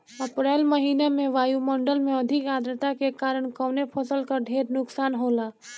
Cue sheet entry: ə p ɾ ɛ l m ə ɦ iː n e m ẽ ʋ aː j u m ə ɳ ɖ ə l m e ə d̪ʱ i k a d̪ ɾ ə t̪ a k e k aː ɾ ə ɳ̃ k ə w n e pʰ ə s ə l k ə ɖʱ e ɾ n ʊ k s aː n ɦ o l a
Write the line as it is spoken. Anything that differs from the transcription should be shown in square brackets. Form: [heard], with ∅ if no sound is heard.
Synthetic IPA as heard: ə p ɾ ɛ l m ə ɦ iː n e m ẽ ʋ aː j u m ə ɳ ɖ ə l m e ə d̪ʱ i k a d̪ ɾ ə t̪ a k e k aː ɾ ə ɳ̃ k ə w n e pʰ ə s ə l k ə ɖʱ e ɾ n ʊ k s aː n ɦ o l a